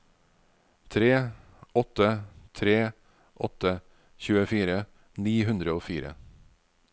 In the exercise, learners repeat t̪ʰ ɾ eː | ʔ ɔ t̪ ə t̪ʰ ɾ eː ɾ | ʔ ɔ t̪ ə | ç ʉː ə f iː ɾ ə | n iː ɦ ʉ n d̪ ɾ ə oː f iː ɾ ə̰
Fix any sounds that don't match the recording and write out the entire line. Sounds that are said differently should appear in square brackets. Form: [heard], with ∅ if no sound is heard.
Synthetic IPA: t̪ʰ ɾ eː | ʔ ɔ t̪ ə t̪ʰ ɾ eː [∅] | ʔ ɔ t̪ ə | ç ʉː ə f iː ɾ ə | n iː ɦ ʉ n d̪ ɾ ə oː f iː ɾ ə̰